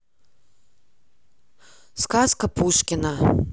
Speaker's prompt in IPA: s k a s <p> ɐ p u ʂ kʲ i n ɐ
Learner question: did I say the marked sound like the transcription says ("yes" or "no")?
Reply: no